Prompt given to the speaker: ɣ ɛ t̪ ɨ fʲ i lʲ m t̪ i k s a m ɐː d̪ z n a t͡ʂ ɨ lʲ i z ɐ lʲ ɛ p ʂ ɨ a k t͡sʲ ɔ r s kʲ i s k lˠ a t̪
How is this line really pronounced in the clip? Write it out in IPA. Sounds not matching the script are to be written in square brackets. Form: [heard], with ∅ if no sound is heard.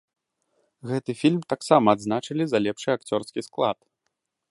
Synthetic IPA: ɣ ɛ t̪ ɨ fʲ i lʲ m t̪ [a] k s a m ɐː d̪ z n a t͡ʂ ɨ lʲ i z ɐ lʲ ɛ p ʂ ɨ a k t͡sʲ ɔ r s kʲ i s k lˠ a t̪